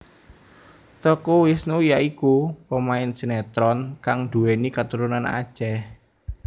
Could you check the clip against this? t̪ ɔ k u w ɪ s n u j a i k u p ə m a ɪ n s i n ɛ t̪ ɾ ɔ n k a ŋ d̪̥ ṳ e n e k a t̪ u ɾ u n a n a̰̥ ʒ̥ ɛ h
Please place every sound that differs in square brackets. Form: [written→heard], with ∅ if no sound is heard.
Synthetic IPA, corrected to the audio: t̪ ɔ k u w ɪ s n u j a i k u p ə m a ɪ n s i n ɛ t̪ ɾ ɔ n k a ŋ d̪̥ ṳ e n [e→i] k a t̪ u ɾ u n a n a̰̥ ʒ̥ ɛ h